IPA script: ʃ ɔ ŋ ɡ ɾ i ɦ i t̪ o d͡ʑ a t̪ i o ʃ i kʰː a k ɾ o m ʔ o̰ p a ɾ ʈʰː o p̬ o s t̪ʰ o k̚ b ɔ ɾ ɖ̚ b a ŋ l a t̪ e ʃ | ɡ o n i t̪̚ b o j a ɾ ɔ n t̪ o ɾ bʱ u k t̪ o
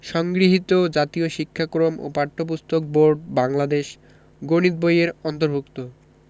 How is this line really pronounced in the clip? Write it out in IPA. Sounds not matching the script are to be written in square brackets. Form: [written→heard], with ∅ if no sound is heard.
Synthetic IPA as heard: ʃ ɔ ŋ ɡ ɾ i ɦ i t̪ o d͡ʑ a t̪ i o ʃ i kʰː a k ɾ o m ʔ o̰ p a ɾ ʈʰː o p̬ [o→u] s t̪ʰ o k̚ b [ɔ→o] ɾ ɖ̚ b a ŋ l a [t̪→d̪] e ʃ | ɡ o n i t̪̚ b o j [a→e] ɾ ɔ n t̪ o ɾ bʱ u k t̪ o